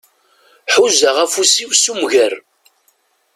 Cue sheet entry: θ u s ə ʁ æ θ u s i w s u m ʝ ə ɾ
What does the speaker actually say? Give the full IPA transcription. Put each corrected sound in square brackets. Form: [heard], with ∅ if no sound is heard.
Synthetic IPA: [ħ] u [z] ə ʁ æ [f] u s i w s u m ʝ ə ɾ

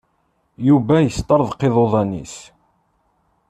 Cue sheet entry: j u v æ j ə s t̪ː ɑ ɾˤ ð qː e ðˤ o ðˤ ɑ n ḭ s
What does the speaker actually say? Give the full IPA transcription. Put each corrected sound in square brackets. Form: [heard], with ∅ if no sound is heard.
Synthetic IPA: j u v æ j ə s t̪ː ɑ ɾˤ ð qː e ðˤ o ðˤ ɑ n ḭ s

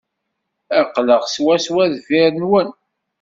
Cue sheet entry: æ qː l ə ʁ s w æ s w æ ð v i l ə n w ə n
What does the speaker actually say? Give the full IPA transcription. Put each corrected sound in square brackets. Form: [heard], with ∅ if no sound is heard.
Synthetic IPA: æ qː l ə ʁ s w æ s w æ ð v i [ɾ] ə n w ə n

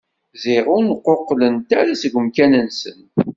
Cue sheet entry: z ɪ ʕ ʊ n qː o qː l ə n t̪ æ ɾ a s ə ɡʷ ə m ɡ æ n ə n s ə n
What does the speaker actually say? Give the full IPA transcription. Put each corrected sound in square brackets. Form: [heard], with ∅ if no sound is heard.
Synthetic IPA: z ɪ [ʁ] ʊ n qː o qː l ə n t̪ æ ɾ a s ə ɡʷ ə m [k] æ n ə n s ə n

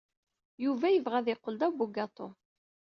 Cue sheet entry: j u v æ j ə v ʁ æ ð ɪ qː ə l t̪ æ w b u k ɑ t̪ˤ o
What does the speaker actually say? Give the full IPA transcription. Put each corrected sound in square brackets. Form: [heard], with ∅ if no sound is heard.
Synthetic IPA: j u v æ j ə v ʁ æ ð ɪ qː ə l [d̪] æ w b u [ɡ] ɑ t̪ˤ o

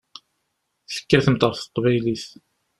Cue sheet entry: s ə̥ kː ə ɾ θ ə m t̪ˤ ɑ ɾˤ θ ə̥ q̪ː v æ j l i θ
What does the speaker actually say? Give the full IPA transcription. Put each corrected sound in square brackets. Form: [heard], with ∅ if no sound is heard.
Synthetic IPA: [θ] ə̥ kː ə ɾ θ ə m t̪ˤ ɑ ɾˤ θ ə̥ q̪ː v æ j l i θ

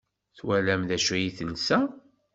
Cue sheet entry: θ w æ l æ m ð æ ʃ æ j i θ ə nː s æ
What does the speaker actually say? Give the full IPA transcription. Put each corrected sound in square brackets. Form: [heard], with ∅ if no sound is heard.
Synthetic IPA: θ w æ l æ m ð æ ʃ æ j i θ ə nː s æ

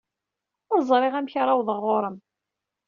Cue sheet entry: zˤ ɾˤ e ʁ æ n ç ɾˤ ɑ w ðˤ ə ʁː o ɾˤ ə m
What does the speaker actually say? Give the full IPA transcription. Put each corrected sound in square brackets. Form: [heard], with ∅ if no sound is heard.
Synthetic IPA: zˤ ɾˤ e ʁ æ [m] ç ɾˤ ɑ w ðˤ ə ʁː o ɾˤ ə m

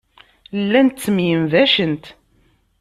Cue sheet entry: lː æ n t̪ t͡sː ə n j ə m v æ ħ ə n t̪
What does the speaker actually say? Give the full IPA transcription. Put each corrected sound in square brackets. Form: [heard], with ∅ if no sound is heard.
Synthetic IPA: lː æ n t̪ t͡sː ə [m] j ə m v æ [ʃ] ə n t̪

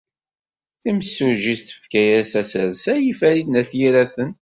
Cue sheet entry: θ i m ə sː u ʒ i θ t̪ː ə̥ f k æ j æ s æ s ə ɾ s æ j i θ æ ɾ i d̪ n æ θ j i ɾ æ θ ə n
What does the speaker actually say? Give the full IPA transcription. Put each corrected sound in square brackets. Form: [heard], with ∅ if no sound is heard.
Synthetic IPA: θ i m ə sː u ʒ i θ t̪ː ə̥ f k æ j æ s æ s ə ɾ s æ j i [f] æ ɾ i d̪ n æ θ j i ɾ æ θ ə n

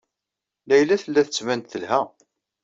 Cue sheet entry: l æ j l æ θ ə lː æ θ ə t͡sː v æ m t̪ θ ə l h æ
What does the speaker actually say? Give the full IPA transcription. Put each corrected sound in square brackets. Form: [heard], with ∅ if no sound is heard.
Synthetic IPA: l æ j l æ θ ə lː æ θ ə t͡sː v æ [n] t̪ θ ə l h æ

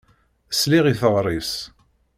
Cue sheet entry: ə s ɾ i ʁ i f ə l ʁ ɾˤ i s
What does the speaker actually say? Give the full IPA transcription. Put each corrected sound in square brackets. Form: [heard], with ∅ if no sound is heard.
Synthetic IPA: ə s [l] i ʁ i [θ] ə [∅] ʁ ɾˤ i s

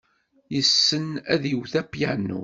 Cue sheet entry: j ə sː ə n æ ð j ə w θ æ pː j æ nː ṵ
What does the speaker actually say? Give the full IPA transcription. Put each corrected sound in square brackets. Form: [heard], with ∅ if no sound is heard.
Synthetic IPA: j ə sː ə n æ ð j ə w θ æ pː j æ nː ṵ

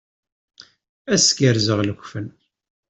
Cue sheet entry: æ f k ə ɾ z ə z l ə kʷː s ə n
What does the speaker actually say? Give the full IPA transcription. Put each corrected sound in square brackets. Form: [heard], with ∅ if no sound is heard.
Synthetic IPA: æ [s] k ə ɾ z ə [ʁ] l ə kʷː [f] ə n

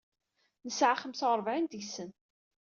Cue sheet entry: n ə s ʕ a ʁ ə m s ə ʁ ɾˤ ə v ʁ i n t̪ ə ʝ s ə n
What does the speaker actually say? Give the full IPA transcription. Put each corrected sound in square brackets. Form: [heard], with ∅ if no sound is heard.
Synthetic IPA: n ə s ʕ a [χ] ə m s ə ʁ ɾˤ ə v [ʕ] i n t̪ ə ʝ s ə n

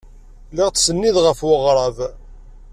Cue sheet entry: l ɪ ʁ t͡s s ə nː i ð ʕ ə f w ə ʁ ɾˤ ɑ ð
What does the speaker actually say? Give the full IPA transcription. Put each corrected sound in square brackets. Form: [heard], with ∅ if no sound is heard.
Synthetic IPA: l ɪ ʁ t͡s s ə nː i ð [ʁ] ə f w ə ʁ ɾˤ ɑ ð

